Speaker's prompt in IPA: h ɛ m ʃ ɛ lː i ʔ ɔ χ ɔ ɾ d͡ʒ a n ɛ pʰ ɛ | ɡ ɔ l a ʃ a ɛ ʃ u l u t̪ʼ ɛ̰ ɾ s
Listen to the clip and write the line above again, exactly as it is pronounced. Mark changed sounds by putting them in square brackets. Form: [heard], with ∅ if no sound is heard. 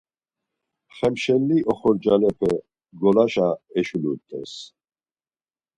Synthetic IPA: [χ] ɛ m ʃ ɛ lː i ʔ ɔ χ ɔ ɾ d͡ʒ a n ɛ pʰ ɛ | ɡ ɔ l a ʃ a ɛ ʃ u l u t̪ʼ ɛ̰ [∅] s